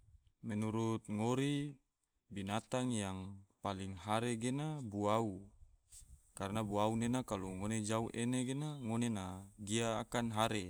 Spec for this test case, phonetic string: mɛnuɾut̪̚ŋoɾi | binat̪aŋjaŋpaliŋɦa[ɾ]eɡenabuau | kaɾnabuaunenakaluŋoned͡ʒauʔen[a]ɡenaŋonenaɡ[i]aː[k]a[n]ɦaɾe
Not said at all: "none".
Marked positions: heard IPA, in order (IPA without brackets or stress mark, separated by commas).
ɾ, e, i, k, n